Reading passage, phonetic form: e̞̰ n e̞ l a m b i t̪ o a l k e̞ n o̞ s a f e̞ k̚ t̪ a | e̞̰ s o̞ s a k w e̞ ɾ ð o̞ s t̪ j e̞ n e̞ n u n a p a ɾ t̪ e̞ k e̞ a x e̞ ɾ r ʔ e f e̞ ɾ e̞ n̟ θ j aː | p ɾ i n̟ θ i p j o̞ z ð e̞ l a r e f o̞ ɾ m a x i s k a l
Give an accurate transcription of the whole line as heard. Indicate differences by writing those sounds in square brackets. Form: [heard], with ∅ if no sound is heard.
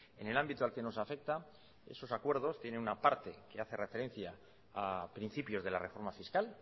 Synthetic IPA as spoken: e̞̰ n e̞ l a m b i t̪ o a l k e̞ n o̞ s a f e̞ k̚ t̪ a | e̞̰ s o̞ s a k w e̞ ɾ ð o̞ s t̪ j e̞ n e̞ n u n a p a ɾ t̪ e̞ k e̞ a [θ] e̞ [∅] r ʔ e f e̞ ɾ e̞ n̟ θ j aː | p ɾ i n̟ θ i p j o̞ z ð e̞ l a r e f o̞ ɾ m a [f] i s k a l